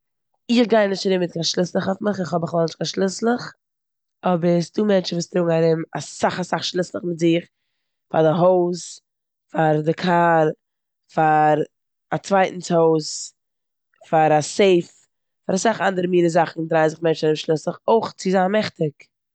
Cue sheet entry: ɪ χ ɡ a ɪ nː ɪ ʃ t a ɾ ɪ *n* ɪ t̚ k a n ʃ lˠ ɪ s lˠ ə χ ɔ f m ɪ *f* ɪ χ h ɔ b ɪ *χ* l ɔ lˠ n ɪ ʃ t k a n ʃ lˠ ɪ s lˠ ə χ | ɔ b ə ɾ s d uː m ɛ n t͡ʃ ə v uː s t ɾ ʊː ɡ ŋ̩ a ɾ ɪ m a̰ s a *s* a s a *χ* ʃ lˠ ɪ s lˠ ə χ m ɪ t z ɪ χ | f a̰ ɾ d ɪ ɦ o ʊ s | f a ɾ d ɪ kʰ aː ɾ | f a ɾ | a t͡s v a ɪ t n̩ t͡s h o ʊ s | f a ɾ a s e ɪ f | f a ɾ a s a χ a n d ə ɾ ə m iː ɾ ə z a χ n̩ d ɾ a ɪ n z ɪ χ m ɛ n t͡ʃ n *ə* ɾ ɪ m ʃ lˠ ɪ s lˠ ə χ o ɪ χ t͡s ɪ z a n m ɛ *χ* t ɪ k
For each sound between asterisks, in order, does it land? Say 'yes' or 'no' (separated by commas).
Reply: no, no, yes, no, yes, no, yes